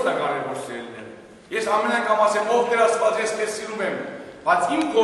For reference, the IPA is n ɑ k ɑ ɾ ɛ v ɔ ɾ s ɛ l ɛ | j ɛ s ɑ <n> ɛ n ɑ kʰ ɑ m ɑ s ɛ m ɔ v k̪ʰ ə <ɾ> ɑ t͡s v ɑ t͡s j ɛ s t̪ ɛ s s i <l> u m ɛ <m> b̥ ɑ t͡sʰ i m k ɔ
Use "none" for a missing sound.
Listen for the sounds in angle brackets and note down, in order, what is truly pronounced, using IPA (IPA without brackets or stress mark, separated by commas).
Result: m, ɾ, ɾ, m